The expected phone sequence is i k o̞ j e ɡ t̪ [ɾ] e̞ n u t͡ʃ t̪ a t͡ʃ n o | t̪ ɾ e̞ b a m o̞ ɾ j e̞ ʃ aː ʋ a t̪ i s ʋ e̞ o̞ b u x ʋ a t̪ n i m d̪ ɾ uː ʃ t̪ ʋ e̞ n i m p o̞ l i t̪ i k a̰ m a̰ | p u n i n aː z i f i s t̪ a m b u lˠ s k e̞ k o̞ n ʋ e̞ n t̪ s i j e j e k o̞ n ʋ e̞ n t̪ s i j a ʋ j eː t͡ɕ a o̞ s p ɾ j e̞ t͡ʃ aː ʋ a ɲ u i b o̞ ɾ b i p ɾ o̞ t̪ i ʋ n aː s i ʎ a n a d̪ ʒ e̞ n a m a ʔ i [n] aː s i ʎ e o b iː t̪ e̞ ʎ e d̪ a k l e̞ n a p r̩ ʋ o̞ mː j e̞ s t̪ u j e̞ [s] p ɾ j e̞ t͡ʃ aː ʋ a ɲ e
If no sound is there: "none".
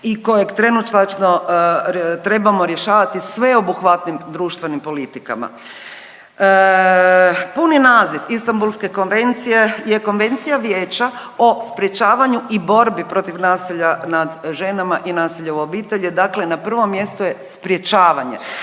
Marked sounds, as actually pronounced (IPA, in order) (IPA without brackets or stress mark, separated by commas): ɾ, n, s